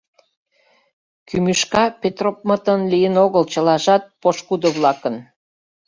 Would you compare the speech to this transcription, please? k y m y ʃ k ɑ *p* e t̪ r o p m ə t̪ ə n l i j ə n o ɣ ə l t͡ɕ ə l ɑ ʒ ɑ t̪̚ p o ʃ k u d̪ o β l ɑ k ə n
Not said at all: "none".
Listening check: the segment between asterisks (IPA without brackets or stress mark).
p